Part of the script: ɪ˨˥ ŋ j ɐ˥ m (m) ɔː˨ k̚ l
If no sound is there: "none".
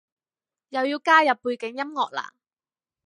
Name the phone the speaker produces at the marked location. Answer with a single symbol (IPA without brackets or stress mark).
ŋ